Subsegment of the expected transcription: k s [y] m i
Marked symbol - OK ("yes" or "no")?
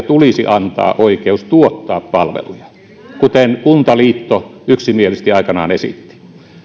no